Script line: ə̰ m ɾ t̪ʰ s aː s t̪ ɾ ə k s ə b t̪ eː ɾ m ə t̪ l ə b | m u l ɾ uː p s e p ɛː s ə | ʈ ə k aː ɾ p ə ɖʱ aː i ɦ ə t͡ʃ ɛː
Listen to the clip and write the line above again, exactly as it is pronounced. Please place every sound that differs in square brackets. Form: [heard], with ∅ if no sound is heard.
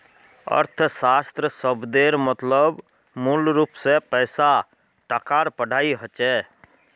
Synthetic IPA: ə̰ [∅] ɾ t̪ʰ s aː s t̪ ɾ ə [∅] s ə b [d̪] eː ɾ m ə t̪ l ə b | m u l ɾ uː p s e p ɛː s [a] | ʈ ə k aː ɾ p ə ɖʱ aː i ɦ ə t͡ʃ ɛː